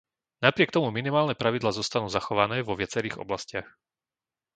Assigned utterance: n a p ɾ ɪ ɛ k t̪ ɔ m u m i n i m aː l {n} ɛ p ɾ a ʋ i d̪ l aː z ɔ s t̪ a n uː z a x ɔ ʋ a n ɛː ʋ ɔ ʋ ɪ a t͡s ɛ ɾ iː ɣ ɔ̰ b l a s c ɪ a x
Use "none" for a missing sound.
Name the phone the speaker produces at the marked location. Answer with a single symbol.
n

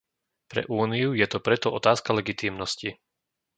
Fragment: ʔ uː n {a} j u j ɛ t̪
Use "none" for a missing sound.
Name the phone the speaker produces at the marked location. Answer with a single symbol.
i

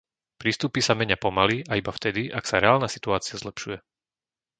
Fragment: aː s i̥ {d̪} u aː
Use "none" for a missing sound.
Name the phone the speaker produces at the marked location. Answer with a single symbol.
t̪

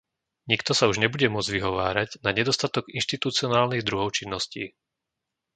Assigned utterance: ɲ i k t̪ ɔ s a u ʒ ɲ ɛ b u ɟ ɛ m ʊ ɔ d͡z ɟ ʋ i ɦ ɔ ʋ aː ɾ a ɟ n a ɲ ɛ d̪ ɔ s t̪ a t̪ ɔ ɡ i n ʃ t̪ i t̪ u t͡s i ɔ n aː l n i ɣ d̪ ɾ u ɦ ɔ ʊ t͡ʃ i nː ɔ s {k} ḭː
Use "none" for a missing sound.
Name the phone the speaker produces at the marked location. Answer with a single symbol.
c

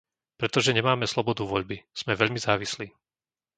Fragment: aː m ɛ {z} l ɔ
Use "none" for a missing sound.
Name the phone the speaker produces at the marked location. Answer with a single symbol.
s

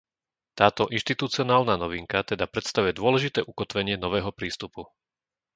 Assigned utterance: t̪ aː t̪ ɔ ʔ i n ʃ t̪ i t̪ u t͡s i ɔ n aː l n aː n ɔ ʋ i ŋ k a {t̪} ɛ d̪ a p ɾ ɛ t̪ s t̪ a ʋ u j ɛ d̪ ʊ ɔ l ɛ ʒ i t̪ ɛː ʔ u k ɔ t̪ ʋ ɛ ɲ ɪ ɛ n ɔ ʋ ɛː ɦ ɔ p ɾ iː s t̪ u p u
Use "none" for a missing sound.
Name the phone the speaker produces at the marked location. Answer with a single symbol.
t̪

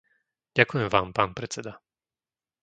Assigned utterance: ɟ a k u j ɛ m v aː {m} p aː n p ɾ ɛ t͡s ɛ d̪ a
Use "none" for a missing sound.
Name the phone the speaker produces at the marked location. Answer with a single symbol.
m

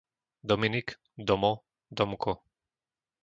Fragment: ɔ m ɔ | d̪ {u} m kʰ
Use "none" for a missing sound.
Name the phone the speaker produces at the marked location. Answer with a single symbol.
ɔ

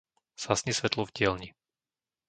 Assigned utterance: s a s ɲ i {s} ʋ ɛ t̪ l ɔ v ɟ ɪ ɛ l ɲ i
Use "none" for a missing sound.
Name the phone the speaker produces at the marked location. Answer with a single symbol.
s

